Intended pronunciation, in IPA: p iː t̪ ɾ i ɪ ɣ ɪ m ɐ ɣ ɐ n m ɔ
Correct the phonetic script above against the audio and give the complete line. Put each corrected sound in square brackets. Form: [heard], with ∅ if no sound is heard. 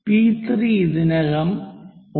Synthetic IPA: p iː t̪ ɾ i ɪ [ð] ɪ [n] ɐ ɣ ɐ [∅] m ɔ